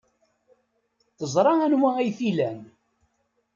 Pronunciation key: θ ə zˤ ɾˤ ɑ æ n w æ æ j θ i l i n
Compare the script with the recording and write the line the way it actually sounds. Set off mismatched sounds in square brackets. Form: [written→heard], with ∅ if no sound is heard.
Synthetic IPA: θ ə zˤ ɾˤ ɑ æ n w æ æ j θ i l [i→æ] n